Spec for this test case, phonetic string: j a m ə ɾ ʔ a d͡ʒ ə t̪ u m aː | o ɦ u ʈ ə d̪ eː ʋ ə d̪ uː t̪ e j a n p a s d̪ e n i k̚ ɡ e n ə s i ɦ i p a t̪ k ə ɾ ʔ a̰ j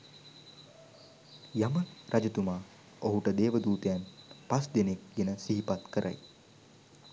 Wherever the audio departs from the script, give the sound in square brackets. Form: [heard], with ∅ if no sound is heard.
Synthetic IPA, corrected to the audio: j a m ə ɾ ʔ a d͡ʒ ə t̪ u m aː | o ɦ u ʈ ə d̪ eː ʋ ə d̪ uː t̪ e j a n p a s d̪ e n [e] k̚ ɡ e n ə s i ɦ i p a t̪ k ə ɾ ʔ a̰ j